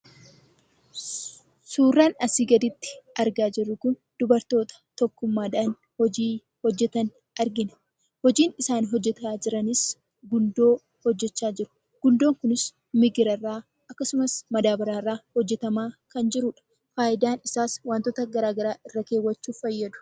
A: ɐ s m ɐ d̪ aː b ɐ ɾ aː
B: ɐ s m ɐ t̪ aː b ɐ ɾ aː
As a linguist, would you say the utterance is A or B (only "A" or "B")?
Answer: A